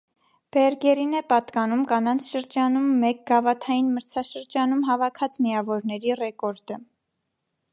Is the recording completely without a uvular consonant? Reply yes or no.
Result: yes